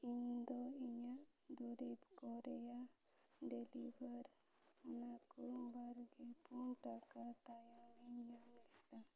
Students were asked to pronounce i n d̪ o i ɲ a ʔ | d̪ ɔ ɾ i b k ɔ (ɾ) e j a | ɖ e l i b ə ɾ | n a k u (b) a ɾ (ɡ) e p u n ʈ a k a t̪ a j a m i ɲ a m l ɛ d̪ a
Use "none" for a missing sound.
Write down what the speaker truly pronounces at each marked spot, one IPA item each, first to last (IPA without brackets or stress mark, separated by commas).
ɾ, b, ɡ